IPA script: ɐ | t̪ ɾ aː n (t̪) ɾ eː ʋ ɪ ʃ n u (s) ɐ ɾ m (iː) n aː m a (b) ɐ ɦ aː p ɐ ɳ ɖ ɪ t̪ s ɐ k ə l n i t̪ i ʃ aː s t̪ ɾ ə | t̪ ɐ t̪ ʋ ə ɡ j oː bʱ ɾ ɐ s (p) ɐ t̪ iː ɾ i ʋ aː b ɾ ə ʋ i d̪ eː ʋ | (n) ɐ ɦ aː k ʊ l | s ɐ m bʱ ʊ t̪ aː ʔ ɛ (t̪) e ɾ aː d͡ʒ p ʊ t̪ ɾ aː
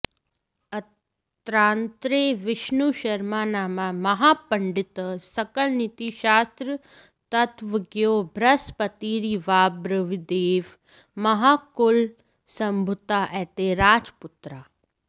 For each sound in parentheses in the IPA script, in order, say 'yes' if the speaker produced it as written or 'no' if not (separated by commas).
yes, no, no, no, yes, no, yes